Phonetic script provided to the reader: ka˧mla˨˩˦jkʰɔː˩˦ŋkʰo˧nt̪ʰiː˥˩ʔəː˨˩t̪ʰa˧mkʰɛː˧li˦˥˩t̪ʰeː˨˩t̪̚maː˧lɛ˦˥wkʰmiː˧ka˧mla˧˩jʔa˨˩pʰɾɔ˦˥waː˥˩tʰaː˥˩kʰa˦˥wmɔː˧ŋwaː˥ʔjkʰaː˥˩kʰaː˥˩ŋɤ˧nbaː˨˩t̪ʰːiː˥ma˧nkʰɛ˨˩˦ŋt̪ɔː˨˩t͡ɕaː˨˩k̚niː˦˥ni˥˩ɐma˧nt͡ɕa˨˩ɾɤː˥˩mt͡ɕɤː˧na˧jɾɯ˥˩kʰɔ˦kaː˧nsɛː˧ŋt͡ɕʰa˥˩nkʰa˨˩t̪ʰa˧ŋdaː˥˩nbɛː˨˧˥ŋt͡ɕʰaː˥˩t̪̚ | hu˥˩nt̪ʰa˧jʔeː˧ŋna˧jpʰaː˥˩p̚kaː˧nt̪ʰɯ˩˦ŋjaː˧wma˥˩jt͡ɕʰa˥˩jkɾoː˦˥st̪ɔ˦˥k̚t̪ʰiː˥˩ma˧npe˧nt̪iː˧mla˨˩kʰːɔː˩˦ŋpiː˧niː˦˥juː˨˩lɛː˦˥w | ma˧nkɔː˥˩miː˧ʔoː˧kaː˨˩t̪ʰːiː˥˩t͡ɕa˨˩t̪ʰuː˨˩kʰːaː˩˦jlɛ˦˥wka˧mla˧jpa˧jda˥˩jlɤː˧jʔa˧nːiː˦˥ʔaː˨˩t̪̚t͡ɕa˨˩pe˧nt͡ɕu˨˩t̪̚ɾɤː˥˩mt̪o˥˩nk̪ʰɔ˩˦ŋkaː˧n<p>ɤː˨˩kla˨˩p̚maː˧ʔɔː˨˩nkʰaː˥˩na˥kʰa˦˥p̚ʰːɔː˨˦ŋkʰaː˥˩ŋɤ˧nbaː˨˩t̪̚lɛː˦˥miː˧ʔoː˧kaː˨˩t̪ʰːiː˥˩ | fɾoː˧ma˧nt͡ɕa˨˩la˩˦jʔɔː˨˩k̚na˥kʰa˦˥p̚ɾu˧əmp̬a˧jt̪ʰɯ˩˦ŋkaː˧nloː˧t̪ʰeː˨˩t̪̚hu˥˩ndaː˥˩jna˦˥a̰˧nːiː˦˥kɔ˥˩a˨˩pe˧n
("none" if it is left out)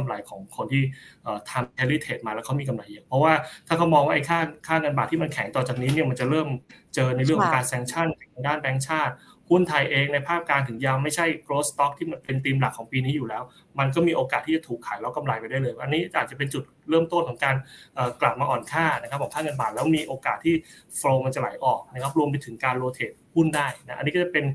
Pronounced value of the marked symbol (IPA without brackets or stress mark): ʔ